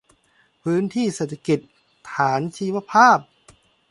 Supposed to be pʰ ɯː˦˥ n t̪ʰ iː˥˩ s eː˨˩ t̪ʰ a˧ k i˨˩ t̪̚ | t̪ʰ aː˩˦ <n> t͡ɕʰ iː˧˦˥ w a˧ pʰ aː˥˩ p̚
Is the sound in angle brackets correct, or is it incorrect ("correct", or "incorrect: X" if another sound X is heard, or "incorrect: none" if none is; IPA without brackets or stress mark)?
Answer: correct